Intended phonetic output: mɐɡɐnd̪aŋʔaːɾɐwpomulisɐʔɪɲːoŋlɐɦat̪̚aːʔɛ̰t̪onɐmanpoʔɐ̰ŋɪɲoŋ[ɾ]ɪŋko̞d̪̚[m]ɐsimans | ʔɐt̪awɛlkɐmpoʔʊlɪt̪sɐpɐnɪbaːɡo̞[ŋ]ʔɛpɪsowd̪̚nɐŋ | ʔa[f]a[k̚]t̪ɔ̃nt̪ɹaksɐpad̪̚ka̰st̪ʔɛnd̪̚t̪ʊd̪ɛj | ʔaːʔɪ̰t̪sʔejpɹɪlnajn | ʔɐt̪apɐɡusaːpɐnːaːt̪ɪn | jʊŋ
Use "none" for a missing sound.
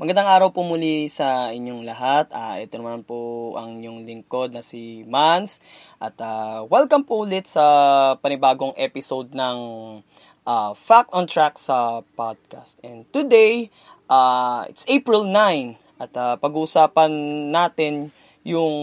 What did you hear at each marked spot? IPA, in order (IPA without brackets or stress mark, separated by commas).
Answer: l, n, ŋ, f, k̚